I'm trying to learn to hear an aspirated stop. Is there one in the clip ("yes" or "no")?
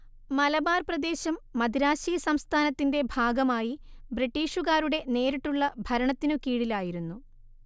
yes